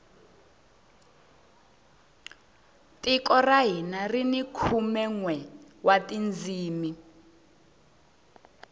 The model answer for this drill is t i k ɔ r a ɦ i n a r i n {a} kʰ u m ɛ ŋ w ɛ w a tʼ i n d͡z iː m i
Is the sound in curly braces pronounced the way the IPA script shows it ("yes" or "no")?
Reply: no